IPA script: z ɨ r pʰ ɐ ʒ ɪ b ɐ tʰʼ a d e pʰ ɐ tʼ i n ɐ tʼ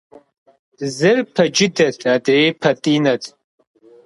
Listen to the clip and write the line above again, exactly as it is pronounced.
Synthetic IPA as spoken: z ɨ r pʰ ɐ d͡ʒ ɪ d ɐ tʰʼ a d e pʰ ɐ tʼ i n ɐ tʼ